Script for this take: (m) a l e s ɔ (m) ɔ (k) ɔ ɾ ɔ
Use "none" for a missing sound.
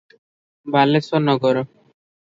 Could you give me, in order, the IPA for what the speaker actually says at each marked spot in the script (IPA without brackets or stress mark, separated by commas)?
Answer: b, n, ɡ